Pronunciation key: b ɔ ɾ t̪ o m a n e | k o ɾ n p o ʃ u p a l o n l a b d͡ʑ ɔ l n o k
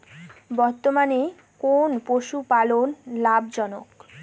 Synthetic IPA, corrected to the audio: b ɔ ɾ t̪ o m a n e | k o n p o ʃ u p a l o n l a b d͡ʑ ɔ n o k